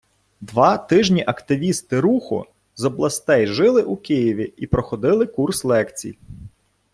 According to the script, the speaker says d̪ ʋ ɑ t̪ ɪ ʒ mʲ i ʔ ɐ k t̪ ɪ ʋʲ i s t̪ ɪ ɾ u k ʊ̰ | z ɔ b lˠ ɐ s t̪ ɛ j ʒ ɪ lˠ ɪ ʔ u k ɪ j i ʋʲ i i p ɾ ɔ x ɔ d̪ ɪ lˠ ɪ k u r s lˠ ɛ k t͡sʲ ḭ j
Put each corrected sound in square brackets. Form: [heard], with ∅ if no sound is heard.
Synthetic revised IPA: d̪ ʋ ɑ t̪ ɪ ʒ [nʲ] i ʔ ɐ k t̪ ɪ ʋʲ i s t̪ ɪ ɾ u [x] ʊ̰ | z ɔ b lˠ ɐ s t̪ ɛ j ʒ ɪ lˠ ɪ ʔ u k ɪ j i ʋʲ i i p ɾ ɔ x ɔ d̪ ɪ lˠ ɪ k u r s lˠ ɛ k t͡sʲ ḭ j